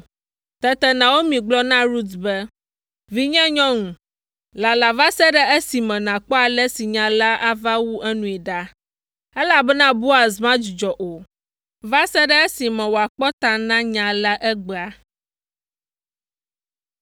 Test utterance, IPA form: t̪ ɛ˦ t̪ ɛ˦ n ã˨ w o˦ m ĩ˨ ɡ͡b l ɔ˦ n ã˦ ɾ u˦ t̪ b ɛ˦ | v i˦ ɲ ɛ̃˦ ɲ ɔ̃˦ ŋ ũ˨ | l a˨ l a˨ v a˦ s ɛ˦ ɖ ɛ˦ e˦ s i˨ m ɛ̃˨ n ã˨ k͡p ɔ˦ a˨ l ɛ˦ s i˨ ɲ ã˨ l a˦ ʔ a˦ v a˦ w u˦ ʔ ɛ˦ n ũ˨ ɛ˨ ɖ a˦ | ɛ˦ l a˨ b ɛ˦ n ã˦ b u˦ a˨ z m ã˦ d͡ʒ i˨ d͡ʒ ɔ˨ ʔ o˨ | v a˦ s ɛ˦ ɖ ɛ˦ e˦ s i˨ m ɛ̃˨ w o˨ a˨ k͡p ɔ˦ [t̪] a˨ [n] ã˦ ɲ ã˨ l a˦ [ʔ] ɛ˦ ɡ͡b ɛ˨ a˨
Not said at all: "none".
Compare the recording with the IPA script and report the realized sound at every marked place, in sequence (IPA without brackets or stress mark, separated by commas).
t̪, n, ʔ